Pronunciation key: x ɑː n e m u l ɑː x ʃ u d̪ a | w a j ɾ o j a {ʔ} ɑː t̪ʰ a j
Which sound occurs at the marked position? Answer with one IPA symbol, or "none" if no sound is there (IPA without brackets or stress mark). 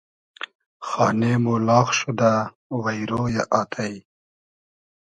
ʔ